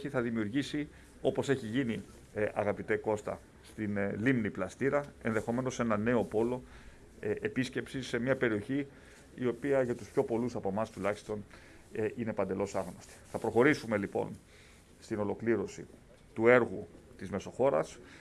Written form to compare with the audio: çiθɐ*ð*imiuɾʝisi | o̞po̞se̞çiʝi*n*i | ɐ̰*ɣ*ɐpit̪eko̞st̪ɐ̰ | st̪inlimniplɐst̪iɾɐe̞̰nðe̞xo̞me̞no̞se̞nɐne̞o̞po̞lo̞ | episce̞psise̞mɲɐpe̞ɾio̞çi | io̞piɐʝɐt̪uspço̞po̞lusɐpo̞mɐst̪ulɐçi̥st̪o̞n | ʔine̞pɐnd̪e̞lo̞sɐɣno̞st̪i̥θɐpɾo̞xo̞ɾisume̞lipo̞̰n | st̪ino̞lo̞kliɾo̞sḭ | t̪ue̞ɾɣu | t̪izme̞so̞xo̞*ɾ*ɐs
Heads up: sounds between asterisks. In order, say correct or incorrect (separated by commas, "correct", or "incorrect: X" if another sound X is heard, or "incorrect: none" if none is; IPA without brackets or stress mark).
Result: correct, correct, correct, correct